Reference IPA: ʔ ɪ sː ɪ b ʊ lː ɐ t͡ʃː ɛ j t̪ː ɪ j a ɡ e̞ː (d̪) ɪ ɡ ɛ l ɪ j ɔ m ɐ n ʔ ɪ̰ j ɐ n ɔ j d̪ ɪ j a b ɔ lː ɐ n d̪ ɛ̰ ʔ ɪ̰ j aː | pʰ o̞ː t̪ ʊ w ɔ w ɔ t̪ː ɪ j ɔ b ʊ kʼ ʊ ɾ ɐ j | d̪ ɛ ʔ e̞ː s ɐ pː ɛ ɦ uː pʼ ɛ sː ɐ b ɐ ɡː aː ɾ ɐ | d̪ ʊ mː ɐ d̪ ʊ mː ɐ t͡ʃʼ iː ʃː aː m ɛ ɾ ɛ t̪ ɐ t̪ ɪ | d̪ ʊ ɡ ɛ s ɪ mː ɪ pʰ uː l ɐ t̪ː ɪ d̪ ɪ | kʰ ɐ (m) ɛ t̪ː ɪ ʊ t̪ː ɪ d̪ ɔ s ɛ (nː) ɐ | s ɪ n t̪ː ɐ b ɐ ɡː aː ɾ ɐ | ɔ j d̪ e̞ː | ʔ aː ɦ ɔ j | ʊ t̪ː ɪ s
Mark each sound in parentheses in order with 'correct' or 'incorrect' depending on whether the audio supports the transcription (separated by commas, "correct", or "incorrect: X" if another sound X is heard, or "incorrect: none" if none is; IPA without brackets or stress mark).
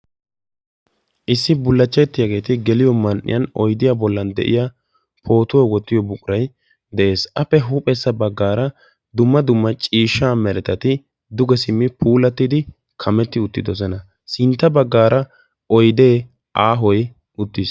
incorrect: t̪, correct, incorrect: n